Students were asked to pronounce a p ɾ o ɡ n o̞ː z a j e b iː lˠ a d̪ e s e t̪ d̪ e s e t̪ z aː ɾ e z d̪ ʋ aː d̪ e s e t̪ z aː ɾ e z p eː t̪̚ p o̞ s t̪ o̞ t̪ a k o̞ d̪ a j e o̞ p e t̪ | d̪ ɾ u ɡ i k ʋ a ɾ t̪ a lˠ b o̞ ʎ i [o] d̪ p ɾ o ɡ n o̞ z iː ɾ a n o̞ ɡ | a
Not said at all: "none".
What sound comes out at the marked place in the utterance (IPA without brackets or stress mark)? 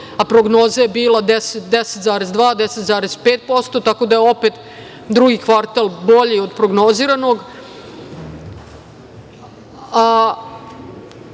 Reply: o